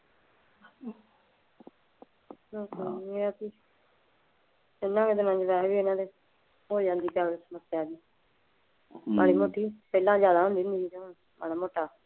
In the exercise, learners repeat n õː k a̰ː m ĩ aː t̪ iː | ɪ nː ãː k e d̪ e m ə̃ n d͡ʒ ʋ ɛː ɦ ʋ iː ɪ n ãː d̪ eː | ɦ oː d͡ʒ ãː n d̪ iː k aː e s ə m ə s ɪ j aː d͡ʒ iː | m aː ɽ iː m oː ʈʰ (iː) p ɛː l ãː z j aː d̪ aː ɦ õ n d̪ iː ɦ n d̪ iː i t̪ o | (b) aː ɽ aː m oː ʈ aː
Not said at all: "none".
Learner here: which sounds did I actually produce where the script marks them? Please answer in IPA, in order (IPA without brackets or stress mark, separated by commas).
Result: iː, m